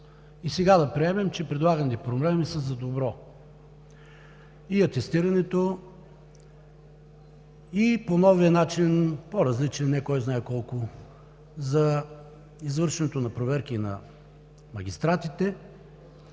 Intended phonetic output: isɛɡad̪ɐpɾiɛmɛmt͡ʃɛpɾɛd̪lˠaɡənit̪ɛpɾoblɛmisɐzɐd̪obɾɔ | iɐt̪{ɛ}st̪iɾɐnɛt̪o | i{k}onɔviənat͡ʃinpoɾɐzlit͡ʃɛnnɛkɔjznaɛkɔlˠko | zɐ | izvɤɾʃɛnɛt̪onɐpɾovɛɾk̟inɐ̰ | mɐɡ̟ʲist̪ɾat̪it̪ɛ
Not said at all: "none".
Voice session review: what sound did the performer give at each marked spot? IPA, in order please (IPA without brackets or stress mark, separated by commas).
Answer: ɛ, p